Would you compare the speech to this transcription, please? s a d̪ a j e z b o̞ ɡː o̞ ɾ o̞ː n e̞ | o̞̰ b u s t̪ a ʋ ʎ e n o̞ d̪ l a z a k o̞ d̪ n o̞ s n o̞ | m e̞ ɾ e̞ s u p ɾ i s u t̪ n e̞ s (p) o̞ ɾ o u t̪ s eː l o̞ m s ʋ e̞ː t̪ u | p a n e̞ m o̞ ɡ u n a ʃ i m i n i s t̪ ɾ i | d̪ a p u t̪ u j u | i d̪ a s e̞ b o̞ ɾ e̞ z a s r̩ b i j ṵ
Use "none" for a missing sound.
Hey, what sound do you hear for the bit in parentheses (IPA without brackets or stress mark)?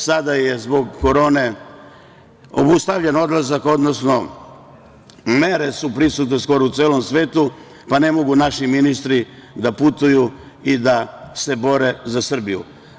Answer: k